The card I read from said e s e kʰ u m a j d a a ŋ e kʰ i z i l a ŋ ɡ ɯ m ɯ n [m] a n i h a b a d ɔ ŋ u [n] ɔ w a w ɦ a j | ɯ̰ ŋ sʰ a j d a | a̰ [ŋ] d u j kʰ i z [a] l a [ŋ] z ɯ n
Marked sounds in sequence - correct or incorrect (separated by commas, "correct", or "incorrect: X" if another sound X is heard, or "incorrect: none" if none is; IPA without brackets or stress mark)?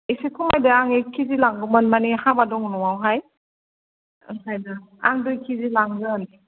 correct, correct, correct, incorrect: i, correct